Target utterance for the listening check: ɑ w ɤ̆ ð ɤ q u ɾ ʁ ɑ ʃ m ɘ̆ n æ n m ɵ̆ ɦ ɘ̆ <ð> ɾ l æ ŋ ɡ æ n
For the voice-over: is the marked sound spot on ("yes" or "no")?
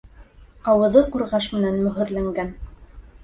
no